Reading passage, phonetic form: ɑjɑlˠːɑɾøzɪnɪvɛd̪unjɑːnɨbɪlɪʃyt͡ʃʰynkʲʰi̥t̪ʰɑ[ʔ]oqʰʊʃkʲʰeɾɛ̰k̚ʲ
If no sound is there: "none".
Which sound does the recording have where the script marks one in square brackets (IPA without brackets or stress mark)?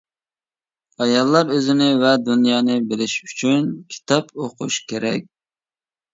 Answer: p